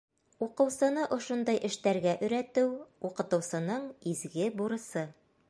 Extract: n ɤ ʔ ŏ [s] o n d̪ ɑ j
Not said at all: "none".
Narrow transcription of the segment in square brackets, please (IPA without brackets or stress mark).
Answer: ʃ